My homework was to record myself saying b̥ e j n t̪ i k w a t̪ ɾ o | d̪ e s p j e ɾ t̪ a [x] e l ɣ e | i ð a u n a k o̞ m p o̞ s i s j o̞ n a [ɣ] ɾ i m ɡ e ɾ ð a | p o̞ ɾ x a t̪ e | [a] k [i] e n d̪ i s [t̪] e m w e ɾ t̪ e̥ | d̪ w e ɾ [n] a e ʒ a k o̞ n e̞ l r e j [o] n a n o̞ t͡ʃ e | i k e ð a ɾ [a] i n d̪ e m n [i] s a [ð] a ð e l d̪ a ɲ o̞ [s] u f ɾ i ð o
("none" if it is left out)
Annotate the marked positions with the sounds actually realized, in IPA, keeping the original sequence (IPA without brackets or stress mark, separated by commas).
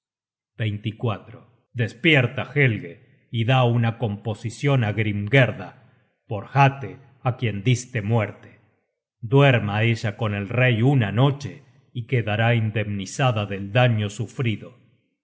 x, ɣ, a, j, t̪, m, u, a, i, ð, s